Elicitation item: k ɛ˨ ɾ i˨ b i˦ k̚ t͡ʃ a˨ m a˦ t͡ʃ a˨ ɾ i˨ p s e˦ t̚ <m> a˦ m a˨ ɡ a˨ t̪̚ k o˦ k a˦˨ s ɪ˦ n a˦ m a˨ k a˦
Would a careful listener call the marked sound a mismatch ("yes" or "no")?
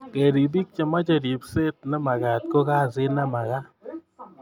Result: yes